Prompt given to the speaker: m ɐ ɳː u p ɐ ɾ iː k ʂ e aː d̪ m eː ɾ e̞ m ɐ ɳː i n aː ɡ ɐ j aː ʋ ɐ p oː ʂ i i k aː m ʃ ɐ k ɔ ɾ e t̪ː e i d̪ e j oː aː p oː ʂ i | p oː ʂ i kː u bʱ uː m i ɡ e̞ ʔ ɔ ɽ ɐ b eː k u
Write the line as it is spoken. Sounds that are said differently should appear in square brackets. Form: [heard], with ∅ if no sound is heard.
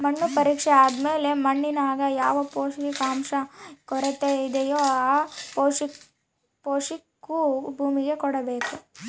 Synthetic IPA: m ɐ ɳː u p ɐ ɾ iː k ʂ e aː d̪ m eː [l] e̞ m ɐ ɳː i n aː ɡ ɐ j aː ʋ ɐ p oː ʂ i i k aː m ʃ ɐ k ɔ ɾ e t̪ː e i d̪ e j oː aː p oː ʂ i | p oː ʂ i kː u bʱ uː m i ɡ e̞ [k] ɔ ɽ ɐ b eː k u